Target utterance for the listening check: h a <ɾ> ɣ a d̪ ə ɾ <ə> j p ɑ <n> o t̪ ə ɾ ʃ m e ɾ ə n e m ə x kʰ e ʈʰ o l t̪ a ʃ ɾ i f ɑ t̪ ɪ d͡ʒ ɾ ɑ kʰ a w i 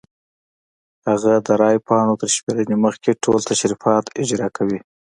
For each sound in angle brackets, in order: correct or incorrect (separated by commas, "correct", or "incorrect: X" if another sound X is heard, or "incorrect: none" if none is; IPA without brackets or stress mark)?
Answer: incorrect: none, incorrect: ɑ, correct